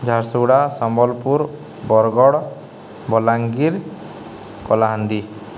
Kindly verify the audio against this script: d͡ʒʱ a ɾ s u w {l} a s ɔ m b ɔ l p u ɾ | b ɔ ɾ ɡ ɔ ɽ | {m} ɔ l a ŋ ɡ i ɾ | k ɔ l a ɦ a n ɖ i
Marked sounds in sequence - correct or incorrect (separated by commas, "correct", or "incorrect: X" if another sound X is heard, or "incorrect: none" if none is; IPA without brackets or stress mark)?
incorrect: ɽ, incorrect: b